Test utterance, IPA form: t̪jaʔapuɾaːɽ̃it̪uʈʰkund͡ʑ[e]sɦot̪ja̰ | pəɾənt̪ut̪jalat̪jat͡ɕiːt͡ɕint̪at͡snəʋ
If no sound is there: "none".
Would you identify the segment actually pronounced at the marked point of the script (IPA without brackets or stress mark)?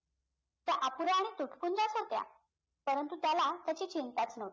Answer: a